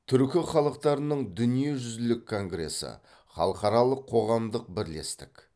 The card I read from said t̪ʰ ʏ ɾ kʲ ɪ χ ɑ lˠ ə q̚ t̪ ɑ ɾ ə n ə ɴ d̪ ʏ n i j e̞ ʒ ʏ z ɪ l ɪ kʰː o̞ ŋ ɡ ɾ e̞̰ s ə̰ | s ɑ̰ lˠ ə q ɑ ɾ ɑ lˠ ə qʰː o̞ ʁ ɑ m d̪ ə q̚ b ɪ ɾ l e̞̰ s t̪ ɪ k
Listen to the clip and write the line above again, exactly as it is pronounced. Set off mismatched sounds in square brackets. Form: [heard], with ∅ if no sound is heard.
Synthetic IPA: t̪ʰ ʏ ɾ kʲ ɪ χ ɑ lˠ ə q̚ t̪ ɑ ɾ ə n ə ɴ d̪ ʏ n i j e̞ ʒ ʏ z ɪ l ɪ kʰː o̞ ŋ ɡ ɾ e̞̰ s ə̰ | [χ] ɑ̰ lˠ ə q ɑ ɾ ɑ lˠ ə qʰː o̞ ʁ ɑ m d̪ ə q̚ b ɪ ɾ l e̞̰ s t̪ ɪ k